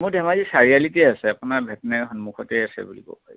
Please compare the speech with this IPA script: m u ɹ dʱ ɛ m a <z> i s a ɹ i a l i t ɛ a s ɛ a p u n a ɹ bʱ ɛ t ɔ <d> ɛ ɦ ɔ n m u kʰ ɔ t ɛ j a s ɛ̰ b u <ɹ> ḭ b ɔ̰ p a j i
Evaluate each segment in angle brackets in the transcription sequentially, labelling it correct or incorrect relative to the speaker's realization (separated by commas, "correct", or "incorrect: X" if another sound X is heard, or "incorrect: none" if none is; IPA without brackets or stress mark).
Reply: correct, incorrect: n, incorrect: l